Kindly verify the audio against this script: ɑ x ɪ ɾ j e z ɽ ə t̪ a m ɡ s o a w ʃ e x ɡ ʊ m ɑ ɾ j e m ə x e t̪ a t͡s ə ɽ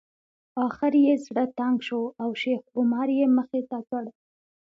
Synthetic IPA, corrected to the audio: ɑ x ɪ ɾ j e z ɽ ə t̪ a ŋ ɡ ʃ o a w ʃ e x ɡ ʊ m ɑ ɾ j e m ə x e t̪ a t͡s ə ɽ

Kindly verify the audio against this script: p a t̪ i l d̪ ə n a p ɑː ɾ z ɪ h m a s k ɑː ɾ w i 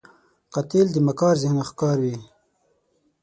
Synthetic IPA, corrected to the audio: q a t̪ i l d̪ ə m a k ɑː ɾ z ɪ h n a x k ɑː ɾ w i

